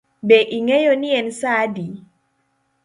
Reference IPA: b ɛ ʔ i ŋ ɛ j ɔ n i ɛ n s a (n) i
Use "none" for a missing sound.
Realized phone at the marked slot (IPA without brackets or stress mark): d